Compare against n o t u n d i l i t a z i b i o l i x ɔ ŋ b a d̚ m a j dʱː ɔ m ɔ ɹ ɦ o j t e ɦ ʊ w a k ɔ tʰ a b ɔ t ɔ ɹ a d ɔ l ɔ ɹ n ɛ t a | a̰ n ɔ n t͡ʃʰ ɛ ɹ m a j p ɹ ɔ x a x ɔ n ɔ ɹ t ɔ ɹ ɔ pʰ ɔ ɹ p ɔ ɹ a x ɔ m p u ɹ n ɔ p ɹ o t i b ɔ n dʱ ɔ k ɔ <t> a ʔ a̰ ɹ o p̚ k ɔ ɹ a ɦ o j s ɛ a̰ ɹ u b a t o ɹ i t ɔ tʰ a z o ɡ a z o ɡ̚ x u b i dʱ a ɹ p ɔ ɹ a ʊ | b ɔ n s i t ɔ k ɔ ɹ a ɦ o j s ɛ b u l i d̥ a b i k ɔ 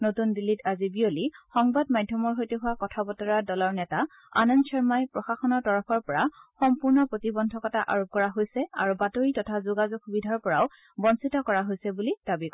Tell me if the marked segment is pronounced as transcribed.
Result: yes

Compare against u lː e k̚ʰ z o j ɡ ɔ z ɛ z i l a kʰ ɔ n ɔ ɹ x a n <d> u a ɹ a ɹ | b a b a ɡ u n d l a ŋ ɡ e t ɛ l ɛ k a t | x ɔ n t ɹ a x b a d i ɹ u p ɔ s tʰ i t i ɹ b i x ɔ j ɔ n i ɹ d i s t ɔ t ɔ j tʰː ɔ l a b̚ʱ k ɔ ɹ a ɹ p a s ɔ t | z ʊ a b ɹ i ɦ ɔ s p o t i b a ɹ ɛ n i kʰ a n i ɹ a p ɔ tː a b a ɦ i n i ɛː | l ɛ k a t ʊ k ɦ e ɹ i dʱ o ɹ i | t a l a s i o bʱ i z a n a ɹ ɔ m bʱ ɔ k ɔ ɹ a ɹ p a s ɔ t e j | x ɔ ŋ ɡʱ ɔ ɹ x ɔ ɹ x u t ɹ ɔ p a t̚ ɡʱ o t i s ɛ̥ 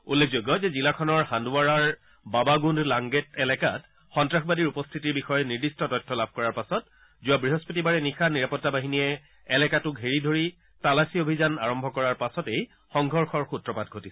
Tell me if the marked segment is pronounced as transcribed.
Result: yes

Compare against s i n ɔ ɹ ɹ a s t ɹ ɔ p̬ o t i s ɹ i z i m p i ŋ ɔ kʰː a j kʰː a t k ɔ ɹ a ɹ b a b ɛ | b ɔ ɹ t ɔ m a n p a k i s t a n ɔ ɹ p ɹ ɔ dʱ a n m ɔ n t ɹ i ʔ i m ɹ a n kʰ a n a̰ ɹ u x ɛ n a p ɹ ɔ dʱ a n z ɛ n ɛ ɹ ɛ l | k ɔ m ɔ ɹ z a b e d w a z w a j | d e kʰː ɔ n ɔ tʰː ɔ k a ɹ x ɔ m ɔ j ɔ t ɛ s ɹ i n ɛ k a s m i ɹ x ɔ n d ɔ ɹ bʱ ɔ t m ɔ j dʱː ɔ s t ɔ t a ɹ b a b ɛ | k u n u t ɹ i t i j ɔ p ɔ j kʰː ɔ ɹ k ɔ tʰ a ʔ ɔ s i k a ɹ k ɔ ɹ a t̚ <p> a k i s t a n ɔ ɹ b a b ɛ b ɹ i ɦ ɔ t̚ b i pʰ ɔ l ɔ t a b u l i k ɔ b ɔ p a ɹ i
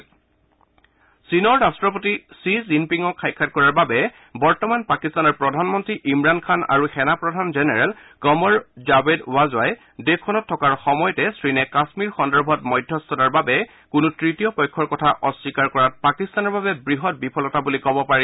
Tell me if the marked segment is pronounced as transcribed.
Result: yes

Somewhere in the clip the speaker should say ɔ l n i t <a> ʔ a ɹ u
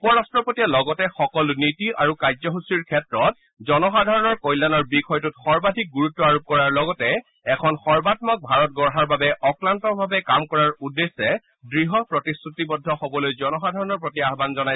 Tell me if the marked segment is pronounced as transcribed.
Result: no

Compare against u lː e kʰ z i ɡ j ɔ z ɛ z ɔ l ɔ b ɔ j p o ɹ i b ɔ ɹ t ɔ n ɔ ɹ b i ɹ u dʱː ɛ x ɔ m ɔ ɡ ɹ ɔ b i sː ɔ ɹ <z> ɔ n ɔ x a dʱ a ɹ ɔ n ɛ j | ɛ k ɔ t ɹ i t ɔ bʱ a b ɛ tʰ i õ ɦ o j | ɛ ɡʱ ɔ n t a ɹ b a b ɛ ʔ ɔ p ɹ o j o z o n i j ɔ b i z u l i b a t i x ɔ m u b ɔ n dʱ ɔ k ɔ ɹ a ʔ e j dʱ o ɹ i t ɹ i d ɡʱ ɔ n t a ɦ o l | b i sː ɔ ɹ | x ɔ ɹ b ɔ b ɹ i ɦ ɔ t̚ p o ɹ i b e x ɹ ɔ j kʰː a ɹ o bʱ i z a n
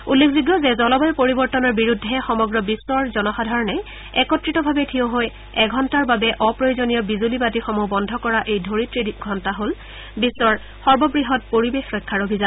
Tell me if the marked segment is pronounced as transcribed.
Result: yes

